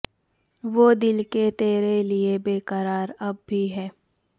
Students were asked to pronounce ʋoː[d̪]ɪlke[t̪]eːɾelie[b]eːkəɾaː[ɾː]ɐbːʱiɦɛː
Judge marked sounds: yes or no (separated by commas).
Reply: yes, yes, yes, no